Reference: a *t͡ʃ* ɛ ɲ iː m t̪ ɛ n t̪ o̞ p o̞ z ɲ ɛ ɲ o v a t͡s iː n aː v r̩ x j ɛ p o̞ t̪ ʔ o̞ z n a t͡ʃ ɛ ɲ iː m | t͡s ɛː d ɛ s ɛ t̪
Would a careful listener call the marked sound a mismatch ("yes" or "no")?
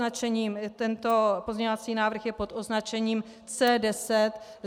no